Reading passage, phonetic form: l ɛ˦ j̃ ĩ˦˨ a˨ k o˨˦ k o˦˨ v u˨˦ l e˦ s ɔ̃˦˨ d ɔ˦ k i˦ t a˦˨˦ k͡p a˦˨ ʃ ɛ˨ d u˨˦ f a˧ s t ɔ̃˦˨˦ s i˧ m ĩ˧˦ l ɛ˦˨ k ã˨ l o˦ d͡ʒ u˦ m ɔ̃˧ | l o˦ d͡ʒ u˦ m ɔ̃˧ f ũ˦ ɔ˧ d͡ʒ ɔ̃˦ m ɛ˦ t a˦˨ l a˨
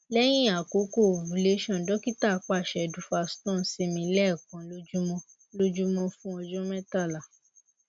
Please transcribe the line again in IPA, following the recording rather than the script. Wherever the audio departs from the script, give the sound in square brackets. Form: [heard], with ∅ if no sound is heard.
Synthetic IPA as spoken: l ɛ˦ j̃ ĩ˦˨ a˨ k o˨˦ k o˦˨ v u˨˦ l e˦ [ʃ] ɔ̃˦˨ d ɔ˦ k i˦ t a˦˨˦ k͡p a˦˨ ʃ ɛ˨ d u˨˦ f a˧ s t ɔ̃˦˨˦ s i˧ m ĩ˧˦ l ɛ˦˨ k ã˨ l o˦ d͡ʒ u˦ m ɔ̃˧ | l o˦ d͡ʒ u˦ m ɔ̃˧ f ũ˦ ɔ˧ d͡ʒ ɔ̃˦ m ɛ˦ t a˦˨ l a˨